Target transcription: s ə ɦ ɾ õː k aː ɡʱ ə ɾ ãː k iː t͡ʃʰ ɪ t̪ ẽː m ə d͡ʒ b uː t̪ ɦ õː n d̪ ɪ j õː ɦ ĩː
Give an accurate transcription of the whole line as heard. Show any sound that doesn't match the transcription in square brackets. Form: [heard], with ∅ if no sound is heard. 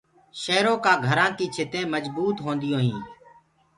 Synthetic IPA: [ʃ] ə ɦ ɾ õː k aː ɡʱ ə ɾ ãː k iː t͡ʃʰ ɪ t̪ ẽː m ə d͡ʒ b uː t̪ ɦ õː n d̪ ɪ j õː ɦ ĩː